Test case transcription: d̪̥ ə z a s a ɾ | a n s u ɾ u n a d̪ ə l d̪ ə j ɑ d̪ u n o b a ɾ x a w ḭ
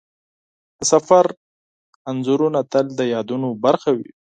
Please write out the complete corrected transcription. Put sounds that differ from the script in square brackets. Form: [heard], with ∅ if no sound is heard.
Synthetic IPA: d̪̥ ə [s] a [f] a ɾ | a n [z] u ɾ u n a [t̪] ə l d̪ ə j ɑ d̪ u n o b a ɾ x a w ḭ